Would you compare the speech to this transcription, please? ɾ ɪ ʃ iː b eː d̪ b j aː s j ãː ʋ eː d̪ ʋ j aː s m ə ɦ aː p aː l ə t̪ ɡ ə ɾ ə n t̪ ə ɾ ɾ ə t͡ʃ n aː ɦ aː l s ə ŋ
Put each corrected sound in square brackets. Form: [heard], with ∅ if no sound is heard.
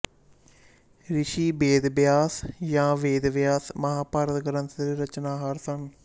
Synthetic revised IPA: ɾ ɪ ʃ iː b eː d̪ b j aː s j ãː ʋ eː d̪ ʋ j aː s m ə ɦ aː p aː [ɾ] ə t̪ ɡ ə ɾ ə n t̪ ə ɾ ɾ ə t͡ʃ n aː ɦ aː [ɾ] s ə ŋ